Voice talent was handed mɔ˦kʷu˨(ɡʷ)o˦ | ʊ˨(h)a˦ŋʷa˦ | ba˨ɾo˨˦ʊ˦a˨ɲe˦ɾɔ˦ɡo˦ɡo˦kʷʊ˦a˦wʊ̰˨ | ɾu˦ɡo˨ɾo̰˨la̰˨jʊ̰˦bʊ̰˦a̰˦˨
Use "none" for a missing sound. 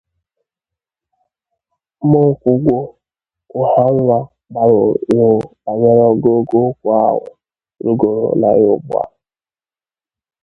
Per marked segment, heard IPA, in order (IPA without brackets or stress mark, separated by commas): ɡʷ, h